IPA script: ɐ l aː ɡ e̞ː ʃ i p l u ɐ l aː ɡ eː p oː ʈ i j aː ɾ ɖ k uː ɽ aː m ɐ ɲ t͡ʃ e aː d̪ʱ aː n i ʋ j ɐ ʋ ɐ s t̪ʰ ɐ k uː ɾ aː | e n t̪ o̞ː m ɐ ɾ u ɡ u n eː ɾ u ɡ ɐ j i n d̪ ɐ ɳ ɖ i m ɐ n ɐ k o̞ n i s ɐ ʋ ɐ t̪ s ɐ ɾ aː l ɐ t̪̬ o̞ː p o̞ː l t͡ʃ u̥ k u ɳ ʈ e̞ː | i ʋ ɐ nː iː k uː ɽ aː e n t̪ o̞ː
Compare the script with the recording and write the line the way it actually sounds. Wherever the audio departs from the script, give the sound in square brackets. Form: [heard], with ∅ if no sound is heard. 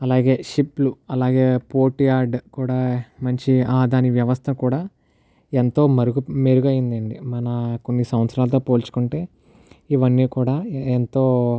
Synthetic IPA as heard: ɐ l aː ɡ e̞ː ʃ i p l u ɐ l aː ɡ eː p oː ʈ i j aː ɾ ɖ k uː ɽ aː m ɐ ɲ t͡ʃ [i] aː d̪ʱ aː n i ʋ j ɐ ʋ ɐ s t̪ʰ ɐ k uː [ɽ] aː | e n t̪ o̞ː m ɐ ɾ u ɡ u [m] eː ɾ u ɡ ɐ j i n d̪ ɐ ɳ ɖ i m ɐ n ɐ k o̞ [nː] i s ɐ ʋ ɐ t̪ s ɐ ɾ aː l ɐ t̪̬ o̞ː p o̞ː l t͡ʃ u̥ k u ɳ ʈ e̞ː | i ʋ ɐ nː iː k uː ɽ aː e n t̪ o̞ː